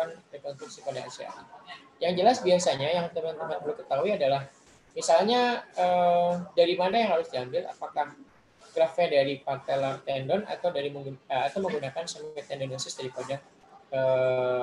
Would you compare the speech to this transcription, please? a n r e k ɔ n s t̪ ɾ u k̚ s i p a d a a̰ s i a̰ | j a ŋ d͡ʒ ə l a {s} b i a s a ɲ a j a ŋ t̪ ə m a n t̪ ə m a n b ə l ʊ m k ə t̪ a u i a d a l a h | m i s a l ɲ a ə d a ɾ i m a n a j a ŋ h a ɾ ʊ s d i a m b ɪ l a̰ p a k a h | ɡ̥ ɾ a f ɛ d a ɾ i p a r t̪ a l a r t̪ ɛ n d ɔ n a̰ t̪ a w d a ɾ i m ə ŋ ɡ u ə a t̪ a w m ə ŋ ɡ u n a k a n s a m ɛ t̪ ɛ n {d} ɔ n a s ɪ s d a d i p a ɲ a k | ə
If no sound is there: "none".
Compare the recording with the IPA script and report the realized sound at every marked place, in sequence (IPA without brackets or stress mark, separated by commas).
s, d